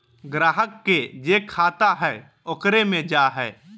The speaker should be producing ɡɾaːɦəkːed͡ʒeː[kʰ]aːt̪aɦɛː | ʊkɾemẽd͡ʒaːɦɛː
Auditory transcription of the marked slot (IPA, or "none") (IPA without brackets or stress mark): kʰ